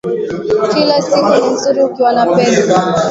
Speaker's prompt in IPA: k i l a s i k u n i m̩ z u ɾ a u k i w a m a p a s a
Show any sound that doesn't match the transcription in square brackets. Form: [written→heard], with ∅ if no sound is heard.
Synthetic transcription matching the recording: k i l a s i k u n i m̩ z u ɾ [a→i] u k i w a [m→n] a p [a→ɛ] s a